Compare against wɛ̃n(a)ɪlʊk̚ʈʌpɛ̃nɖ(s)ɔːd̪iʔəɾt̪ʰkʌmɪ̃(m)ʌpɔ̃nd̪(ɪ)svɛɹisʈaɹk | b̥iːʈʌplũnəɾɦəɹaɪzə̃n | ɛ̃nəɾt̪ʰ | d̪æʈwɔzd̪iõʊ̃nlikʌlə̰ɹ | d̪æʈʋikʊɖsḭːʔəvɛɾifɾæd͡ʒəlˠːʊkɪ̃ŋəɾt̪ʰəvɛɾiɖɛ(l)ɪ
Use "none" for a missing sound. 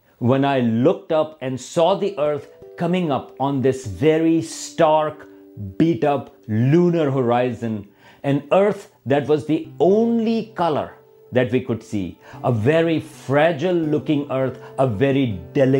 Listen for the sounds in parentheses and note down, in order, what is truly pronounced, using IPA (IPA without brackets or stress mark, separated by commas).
a, s, ŋ, ɪ, l